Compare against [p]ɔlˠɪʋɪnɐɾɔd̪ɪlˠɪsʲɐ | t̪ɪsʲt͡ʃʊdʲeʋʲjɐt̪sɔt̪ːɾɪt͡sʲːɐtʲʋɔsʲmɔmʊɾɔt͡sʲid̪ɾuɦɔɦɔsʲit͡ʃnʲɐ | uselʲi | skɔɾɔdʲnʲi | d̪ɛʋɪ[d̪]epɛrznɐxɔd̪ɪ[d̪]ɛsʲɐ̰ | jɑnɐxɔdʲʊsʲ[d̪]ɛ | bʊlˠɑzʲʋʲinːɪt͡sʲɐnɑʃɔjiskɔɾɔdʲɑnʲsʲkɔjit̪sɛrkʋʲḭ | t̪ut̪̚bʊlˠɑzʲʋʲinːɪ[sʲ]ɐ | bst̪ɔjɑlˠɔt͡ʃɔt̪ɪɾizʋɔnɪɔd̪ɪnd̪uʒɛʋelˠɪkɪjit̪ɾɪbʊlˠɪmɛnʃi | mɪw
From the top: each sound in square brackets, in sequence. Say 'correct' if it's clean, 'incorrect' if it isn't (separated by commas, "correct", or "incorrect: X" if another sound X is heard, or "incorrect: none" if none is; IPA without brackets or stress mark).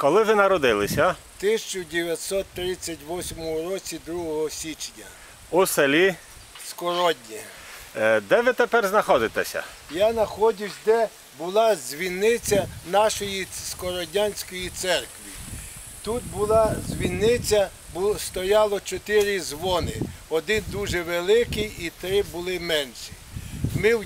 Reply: incorrect: k, incorrect: t̪, incorrect: t̪, correct, incorrect: t͡sʲ